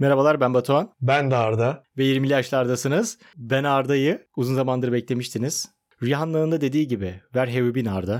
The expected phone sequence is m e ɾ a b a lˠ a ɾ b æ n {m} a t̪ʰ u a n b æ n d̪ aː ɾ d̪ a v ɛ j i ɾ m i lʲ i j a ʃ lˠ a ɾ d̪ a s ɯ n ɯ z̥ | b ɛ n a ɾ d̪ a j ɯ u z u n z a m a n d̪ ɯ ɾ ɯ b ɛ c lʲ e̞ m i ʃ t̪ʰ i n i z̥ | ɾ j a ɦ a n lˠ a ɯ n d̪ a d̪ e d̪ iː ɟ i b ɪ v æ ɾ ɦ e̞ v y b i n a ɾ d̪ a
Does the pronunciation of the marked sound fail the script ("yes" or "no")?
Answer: yes